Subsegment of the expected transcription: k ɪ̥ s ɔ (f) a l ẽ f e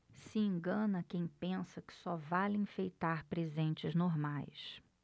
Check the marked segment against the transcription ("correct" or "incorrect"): incorrect